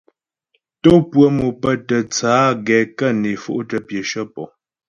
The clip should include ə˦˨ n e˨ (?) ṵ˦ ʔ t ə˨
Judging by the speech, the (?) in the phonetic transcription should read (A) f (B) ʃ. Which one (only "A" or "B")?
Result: A